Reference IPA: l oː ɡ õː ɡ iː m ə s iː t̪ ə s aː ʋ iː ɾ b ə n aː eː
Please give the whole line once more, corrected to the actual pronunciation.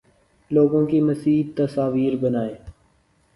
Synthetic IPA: l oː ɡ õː k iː m ə s iː t̪ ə s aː ʋ iː ɾ b ə n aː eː